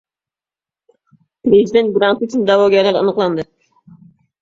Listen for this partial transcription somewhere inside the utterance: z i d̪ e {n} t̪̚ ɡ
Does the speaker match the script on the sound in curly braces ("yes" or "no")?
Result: yes